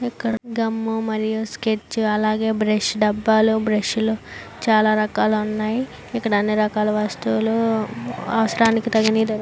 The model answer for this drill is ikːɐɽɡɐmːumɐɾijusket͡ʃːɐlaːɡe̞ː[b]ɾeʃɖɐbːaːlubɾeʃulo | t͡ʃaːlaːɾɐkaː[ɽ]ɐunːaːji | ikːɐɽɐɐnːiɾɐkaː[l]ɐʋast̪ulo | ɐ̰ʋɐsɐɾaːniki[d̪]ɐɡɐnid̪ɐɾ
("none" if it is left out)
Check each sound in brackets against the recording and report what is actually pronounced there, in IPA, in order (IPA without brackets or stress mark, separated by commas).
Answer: b, l, l, t̪